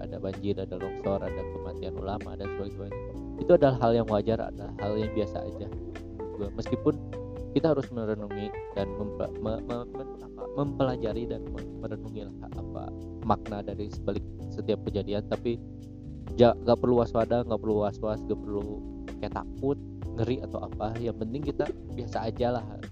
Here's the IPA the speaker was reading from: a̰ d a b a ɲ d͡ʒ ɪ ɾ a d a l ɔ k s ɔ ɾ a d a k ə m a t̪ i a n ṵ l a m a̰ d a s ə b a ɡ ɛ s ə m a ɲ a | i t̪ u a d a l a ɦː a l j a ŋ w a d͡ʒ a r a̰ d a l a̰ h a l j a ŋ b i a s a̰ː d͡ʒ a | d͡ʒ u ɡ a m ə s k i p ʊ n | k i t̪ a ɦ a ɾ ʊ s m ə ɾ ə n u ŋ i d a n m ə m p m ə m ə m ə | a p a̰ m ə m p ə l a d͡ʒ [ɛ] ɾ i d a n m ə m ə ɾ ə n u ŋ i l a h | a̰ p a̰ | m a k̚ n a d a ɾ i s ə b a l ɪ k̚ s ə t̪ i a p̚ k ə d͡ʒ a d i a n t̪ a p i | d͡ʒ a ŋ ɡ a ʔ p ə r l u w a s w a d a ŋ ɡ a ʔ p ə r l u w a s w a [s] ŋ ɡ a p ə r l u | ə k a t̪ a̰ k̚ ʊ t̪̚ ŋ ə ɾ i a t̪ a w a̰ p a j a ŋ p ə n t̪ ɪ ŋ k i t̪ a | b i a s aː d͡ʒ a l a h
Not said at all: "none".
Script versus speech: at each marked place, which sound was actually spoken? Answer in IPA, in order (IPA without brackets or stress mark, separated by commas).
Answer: a, s